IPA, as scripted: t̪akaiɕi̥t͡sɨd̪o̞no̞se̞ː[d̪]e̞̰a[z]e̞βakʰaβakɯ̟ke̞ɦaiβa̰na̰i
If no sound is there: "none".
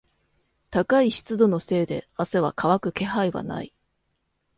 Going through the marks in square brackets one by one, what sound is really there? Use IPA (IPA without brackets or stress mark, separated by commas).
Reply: d̪, s